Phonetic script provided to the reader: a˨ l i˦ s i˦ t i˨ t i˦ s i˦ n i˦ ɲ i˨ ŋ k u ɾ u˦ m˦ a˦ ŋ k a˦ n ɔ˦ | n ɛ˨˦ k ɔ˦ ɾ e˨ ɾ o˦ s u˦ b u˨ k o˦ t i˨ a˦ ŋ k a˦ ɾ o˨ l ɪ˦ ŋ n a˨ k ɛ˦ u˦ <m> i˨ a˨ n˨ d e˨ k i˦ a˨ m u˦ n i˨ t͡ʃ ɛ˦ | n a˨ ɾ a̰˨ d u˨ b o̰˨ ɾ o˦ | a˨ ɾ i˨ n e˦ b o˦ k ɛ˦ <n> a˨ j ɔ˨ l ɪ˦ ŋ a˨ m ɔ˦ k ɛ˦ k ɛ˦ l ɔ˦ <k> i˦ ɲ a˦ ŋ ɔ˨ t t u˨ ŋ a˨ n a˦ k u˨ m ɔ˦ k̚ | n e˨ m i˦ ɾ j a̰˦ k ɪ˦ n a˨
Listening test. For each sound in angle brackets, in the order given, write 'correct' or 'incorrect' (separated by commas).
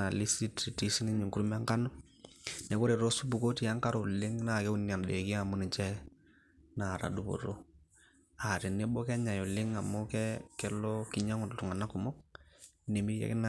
incorrect, incorrect, correct